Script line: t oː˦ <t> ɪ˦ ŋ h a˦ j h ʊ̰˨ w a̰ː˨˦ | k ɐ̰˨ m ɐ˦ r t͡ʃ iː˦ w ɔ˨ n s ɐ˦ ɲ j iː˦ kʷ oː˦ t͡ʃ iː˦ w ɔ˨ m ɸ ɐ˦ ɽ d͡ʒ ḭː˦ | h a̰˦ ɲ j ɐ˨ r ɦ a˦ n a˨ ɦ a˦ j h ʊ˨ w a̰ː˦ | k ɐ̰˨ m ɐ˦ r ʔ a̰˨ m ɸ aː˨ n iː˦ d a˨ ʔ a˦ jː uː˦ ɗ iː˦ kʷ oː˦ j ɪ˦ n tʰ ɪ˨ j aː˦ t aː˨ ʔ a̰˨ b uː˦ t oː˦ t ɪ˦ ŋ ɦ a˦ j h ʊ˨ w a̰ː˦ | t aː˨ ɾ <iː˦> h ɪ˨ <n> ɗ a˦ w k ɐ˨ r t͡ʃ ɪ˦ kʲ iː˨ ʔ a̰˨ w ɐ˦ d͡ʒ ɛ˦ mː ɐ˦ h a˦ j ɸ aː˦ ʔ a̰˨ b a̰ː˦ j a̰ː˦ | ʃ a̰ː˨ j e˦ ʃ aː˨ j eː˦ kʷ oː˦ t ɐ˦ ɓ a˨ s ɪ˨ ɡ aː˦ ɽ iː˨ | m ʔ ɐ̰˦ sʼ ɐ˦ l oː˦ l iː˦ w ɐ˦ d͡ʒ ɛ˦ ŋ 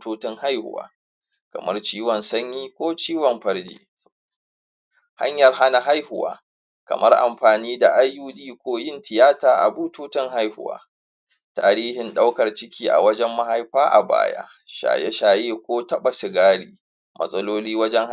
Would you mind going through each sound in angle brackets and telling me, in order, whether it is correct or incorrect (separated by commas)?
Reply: correct, correct, correct